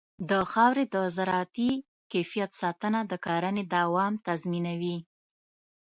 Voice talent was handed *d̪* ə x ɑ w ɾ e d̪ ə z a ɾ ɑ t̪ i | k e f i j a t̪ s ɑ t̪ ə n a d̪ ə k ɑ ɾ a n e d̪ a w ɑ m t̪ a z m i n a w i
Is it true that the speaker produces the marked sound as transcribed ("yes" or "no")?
yes